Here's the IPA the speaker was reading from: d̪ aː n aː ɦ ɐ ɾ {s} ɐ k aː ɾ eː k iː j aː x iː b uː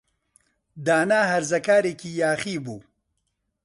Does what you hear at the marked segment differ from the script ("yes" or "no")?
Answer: yes